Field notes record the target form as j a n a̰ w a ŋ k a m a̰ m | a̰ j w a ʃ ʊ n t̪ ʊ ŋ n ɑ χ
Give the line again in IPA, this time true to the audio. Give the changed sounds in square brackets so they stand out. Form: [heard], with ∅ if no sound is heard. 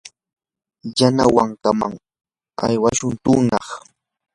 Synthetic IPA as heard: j a n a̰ w a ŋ k a m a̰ [ŋ] | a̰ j w a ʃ ʊ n t̪ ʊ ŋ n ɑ χ